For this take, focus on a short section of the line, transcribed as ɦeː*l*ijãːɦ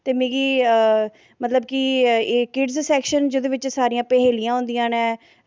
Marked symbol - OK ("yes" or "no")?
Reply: yes